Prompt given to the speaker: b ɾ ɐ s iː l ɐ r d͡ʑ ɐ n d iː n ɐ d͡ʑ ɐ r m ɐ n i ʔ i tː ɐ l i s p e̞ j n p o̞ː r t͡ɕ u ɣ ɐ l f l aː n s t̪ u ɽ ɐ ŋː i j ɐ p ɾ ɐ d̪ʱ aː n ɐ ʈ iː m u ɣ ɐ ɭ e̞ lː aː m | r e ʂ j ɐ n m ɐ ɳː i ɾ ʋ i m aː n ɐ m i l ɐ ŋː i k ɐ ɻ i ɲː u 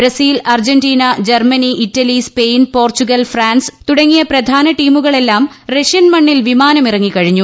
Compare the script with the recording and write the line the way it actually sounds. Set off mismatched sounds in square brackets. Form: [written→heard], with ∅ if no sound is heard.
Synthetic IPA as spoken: b ɾ ɐ s iː l ɐ r d͡ʑ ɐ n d iː n ɐ d͡ʑ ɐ r m ɐ n i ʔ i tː ɐ l i s p e̞ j n p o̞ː r t͡ɕ u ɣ ɐ l f [l→r] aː n s t̪ u ɽ ɐ ŋː i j ɐ p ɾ ɐ d̪ʱ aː n ɐ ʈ iː m u ɣ ɐ ɭ e̞ lː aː m | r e ʂ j ɐ n m ɐ ɳː i [ɾ→l] ʋ i m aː n ɐ m i [l→r] ɐ ŋː i k ɐ ɻ i ɲː u